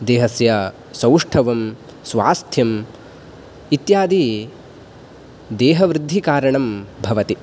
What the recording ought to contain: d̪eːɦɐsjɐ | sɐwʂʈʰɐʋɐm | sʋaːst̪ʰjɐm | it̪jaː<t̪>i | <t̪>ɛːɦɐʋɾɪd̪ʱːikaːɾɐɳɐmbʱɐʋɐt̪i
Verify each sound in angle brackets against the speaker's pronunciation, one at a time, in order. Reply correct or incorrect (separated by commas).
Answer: incorrect, incorrect